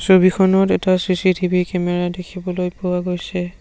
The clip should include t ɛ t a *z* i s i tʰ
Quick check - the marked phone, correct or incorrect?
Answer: incorrect